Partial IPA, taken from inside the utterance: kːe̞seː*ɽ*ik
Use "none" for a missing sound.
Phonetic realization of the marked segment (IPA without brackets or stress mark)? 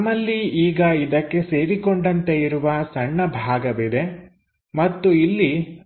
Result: ɾ